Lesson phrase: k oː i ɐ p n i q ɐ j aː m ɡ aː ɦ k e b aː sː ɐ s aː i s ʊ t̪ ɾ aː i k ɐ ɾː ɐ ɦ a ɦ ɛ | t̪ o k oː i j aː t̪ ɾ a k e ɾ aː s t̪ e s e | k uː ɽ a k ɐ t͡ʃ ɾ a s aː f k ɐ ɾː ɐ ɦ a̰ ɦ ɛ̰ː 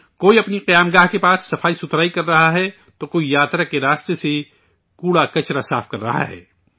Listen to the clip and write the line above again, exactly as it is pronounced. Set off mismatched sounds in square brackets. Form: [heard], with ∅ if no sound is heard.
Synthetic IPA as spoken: k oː i ɐ p n i q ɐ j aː m ɡ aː ɦ k e [p] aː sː ɐ [f] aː i s ʊ t̪ ɾ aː i k ɐ ɾː ɐ ɦ a ɦ ɛ | t̪ o k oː i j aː t̪ ɾ a k e ɾ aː s t̪ e s e | k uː ɽ a k ɐ t͡ʃ ɾ a s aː f k ɐ ɾː ɐ ɦ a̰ ɦ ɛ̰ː